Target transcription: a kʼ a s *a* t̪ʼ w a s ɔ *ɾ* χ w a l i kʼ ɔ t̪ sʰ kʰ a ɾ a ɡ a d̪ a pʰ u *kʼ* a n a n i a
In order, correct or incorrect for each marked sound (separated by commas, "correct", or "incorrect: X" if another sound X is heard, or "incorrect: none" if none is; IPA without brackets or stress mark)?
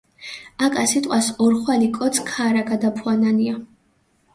incorrect: i, correct, incorrect: none